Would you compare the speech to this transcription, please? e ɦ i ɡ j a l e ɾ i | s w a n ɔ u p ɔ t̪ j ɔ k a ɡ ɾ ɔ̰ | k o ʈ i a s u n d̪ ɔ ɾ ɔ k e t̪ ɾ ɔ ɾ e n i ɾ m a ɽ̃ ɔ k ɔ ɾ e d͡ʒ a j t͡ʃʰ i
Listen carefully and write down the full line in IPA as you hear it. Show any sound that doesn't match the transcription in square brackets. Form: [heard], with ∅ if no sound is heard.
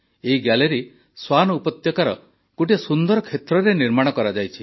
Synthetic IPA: e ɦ i ɡ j a l e ɾ i | s w a n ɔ u p ɔ t̪ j ɔ k a [∅] ɾ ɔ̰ | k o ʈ i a s u n d̪ ɔ ɾ ɔ [kʰ] e t̪ ɾ ɔ ɾ e n i ɾ m a ɽ̃ ɔ k ɔ ɾ [a] d͡ʒ a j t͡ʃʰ i